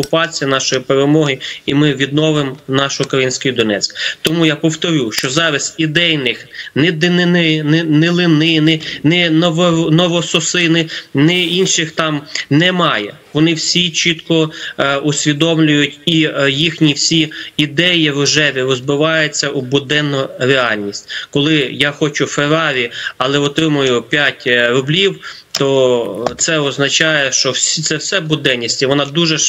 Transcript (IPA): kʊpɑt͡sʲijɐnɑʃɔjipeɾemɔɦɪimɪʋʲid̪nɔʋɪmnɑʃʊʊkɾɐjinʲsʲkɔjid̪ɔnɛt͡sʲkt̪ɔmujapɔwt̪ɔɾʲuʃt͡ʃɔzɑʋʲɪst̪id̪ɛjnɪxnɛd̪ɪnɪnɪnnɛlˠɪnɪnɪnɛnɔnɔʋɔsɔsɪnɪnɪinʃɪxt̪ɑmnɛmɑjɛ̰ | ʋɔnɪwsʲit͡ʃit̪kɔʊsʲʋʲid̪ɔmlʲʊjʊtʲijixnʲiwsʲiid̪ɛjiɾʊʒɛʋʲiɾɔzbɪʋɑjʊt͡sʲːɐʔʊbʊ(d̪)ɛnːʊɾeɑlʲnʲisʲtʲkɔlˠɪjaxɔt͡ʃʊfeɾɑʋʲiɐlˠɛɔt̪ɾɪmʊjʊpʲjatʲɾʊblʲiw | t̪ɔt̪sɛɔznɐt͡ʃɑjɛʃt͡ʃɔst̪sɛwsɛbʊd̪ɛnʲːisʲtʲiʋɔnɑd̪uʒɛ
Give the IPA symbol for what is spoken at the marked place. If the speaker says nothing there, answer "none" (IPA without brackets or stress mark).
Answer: d̪